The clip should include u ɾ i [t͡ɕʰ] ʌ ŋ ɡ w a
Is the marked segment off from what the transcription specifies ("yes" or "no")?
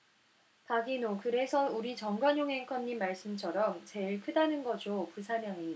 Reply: yes